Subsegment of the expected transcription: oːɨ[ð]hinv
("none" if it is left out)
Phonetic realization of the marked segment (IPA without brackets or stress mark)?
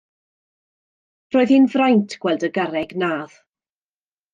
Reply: ð